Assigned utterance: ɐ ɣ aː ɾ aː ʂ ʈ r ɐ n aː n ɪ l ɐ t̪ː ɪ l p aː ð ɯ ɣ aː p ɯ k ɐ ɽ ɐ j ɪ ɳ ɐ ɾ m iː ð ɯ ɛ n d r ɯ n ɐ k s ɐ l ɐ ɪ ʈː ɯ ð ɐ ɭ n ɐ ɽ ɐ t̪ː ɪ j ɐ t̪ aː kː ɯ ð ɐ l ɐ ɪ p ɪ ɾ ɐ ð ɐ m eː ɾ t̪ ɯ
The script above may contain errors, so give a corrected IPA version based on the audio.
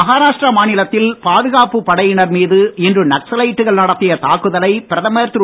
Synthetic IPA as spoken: ɐ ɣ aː ɾ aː ʂ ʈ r ɐ m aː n ɪ l ɐ t̪ː ɪ l p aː ð ɯ ɣ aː p ɯ p ɐ ɽ ɐ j ɪ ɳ ɐ ɾ m iː ð ɯ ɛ n d r ɯ n ɐ k s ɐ l ɐ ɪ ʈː ɯ ɣ ɐ ɭ n ɐ ɽ ɐ t̪ː ɪ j ɐ t̪ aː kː ɯ ð ɐ l ɐ ɪ p ɪ ɾ ɐ ð ɐ m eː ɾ t̪ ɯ

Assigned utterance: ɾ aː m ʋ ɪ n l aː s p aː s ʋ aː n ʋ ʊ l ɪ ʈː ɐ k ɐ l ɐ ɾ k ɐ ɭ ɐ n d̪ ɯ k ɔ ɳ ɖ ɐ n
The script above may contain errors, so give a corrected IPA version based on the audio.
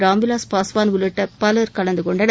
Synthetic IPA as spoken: ɾ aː m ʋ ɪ l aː s p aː s ʋ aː n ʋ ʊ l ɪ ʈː ɐ p ɐ l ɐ ɾ k ɐ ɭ ɐ n d̪ ɯ k ɔ ɳ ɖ ɐ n

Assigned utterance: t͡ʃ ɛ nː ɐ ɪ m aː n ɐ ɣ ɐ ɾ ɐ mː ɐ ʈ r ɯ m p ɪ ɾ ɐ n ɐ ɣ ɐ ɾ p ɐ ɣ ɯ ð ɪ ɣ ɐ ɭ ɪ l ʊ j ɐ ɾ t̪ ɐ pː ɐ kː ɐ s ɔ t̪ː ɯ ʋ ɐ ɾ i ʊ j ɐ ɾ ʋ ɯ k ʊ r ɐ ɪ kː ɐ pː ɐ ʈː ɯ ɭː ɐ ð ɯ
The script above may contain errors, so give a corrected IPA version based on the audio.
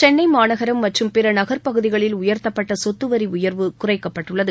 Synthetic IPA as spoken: t͡ʃ ɛ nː ɐ ɪ m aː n ɐ ɣ ɐ ɾ ɐ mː ɐ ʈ r ɯ m p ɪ ɾ ɐ n ɐ ɣ ɐ ɾ p ɐ ɣ ɯ ð ɪ ɣ ɐ ɭ ɪ l ʊ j ɐ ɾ t̪ ɐ pː ɐ ʈː ɐ s ɔ t̪ː ɯ ʋ ɐ ɾ i ʊ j ɐ ɾ ʋ ɯ k ʊ r ɐ ɪ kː ɐ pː ɐ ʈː ɯ ɭː ɐ ð ɯ

